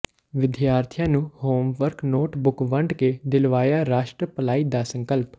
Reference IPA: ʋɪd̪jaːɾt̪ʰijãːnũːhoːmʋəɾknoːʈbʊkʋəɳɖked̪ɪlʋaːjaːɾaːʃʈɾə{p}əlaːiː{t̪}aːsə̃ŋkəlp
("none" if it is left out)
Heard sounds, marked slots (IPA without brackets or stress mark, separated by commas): p, d̪